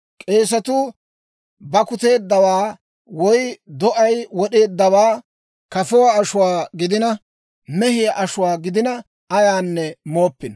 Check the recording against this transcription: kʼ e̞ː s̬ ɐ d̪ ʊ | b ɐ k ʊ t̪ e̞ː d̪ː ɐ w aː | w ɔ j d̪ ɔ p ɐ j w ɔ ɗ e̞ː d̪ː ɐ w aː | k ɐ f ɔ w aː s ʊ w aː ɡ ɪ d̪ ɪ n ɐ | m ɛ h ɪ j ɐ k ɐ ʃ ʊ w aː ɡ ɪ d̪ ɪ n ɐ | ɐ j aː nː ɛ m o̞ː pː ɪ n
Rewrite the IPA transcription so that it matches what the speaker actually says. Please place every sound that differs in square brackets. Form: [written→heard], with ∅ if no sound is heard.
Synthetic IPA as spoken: kʼ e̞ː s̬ ɐ [d̪→t̪] ʊ | b ɐ k ʊ t̪ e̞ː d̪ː ɐ w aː | w ɔ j d̪ ɔ [p→ʔ] ɐ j w ɔ ɗ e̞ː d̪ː ɐ w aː | k ɐ f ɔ w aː [s→ʃ] ʊ w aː ɡ ɪ d̪ ɪ n ɐ | m ɛ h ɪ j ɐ [k→ʔ] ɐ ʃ ʊ w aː ɡ ɪ d̪ ɪ n ɐ | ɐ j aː nː ɛ m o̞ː pː ɪ n